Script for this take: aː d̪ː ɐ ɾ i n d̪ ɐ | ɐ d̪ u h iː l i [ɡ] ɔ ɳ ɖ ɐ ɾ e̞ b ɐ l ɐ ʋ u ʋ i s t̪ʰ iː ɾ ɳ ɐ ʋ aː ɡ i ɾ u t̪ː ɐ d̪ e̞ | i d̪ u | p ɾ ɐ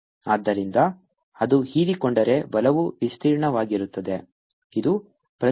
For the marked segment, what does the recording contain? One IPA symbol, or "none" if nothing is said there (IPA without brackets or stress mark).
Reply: k